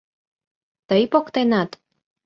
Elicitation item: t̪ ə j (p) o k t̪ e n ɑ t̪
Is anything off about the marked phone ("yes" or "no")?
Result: no